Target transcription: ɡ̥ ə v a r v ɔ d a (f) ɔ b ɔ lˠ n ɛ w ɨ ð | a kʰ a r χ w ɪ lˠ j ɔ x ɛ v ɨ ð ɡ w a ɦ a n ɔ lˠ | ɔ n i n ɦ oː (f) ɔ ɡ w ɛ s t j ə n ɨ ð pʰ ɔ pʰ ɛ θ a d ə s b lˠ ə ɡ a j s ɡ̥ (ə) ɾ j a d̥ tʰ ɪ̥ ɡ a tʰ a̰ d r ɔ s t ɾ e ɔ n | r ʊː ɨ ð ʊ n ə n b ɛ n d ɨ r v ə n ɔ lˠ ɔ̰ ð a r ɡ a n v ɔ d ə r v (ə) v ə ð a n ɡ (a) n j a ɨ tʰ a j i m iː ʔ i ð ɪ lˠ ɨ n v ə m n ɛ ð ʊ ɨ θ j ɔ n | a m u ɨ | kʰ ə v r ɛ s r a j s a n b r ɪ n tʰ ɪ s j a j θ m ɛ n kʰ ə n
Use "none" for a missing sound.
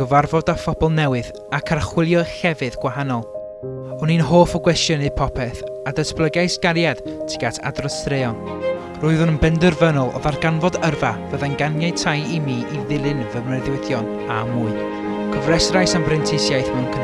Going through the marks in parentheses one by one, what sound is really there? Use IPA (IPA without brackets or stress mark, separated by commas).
f, f, a, a, a